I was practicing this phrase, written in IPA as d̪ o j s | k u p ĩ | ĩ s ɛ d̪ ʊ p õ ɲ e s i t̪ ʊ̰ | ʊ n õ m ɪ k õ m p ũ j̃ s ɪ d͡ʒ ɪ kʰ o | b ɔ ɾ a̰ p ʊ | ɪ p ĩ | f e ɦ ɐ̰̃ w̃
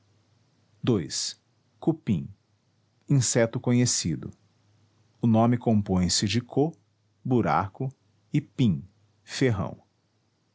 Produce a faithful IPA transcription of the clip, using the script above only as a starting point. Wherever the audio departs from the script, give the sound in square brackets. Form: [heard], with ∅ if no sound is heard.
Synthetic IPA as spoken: d̪ o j s | k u p ĩ | ĩ s ɛ [t̪] ʊ [k] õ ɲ e s i [d̪] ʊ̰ | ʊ n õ m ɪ k õ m p [õ] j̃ s ɪ d͡ʒ ɪ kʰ o | b [u] ɾ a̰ [k] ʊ | ɪ p ĩ | f e ɦ ɐ̰̃ w̃